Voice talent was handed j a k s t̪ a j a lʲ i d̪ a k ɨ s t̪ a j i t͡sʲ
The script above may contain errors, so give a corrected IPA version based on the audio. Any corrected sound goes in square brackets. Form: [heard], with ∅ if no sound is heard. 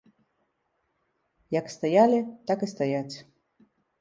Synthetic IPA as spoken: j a k s t̪ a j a lʲ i [t̪] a k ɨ s t̪ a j [a] t͡sʲ